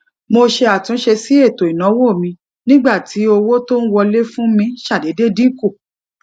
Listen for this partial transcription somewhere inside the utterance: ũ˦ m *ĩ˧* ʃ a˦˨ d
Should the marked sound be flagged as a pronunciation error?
no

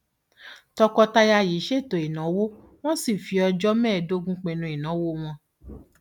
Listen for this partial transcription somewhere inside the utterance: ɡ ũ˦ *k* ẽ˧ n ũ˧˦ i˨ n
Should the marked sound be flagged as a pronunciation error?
yes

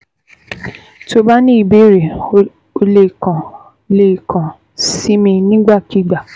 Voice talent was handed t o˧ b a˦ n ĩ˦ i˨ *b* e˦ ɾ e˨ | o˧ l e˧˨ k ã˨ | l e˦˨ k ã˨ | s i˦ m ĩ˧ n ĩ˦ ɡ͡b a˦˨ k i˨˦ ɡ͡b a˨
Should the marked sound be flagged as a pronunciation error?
no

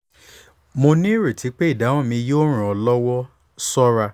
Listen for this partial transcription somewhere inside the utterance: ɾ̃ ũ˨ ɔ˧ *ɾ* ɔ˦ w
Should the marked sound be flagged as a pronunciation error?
yes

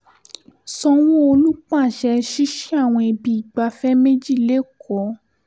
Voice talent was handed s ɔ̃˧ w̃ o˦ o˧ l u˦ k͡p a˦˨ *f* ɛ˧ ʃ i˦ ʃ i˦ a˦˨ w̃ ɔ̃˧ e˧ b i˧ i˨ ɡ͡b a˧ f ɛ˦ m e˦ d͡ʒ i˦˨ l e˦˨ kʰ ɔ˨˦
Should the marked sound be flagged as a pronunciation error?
yes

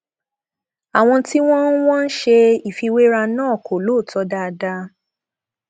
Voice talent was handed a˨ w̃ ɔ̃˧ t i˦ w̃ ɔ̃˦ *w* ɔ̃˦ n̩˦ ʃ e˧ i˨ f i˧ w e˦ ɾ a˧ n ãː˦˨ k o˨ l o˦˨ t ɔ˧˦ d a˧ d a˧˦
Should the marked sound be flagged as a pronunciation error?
no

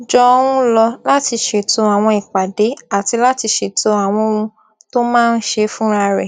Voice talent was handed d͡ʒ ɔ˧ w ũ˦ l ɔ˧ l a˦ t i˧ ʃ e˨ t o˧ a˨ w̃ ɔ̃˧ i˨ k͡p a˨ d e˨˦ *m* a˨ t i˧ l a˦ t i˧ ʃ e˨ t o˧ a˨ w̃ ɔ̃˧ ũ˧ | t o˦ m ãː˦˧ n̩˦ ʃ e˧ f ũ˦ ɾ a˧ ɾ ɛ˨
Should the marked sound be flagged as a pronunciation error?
yes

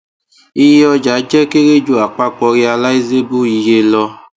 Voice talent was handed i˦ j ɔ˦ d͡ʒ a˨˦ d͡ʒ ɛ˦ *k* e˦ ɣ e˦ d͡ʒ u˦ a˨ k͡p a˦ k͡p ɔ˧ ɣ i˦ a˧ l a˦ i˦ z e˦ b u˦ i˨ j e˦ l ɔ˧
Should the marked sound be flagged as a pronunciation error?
no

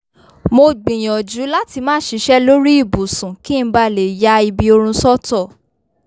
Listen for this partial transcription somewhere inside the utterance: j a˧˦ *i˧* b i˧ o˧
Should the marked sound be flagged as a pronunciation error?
no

